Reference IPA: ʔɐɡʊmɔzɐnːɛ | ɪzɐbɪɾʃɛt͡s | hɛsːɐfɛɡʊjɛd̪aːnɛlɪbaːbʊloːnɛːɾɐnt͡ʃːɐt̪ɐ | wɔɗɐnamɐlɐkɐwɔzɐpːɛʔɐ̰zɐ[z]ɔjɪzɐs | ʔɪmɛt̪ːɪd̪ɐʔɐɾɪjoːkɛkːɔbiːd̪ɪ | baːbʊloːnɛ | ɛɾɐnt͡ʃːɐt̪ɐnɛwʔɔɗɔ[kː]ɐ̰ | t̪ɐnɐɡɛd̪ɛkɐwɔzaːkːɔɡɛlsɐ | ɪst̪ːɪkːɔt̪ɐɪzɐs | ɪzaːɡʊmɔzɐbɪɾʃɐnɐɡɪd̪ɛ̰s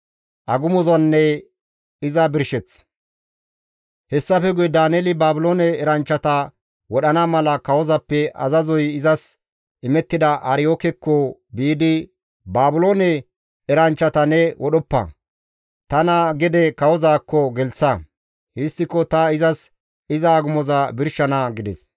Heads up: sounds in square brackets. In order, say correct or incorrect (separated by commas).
correct, incorrect